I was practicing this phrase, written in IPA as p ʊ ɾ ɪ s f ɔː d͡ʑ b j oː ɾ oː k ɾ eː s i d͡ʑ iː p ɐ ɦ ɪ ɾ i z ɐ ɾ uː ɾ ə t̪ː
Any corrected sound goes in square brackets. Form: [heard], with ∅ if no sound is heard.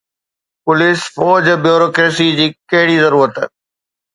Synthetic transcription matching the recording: p ʊ [l] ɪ s f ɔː d͡ʑ b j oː ɾ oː k ɾ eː s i d͡ʑ iː [k] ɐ ɦ ɪ [ɽ] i z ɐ ɾ uː ɾ ə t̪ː